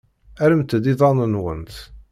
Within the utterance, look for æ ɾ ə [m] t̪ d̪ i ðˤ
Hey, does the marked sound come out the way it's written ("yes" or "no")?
yes